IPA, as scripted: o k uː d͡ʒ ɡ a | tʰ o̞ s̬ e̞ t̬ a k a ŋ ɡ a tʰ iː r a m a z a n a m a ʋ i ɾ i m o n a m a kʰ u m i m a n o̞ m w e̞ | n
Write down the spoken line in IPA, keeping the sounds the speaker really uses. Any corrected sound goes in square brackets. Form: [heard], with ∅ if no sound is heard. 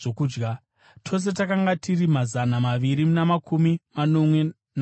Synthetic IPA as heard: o k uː d͡ʒ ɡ a | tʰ o̞ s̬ e̞ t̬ a k a ŋ ɡ a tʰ [i] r [i] m a z a n a m a ʋ i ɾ i m [u] n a m a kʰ u m i m a n o̞ m w e̞ | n